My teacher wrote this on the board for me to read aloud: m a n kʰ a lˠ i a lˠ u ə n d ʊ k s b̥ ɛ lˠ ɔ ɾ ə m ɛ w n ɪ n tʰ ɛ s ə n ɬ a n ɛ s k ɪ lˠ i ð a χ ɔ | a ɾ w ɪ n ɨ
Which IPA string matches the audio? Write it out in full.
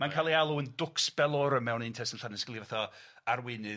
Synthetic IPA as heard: m a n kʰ a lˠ i a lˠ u ə n d ʊ k s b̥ ɛ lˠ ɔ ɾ ə m ɛ w n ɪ n tʰ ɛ s ə n ɬ a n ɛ s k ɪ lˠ i v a θ ɔ | a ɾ w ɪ n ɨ